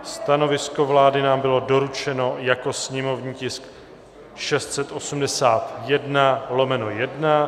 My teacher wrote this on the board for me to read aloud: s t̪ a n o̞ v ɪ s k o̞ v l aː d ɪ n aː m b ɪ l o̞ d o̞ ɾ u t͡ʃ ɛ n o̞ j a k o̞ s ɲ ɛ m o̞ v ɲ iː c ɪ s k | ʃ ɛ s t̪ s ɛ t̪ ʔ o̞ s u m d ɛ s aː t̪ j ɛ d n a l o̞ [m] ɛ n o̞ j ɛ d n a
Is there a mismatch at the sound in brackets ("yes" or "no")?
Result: no